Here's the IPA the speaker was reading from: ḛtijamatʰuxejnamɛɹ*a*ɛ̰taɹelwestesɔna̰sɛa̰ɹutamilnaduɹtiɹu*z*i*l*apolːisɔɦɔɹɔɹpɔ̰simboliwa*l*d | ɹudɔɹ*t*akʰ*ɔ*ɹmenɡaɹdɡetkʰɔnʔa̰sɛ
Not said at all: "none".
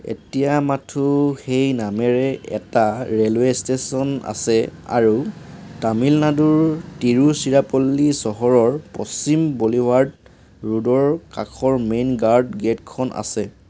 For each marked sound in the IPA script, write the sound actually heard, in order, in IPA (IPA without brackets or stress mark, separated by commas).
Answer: ɛ, s, ɹ, ɹ, k, ɔ